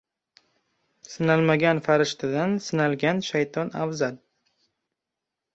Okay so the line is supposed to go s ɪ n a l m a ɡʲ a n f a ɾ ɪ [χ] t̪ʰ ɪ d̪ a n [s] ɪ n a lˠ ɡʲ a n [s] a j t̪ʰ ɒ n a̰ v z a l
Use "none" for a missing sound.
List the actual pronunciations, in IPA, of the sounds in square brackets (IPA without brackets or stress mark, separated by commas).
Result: ʃ, s, ʃ